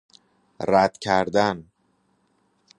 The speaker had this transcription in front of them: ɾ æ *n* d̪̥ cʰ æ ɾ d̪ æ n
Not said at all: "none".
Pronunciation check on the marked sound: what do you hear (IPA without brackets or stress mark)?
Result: none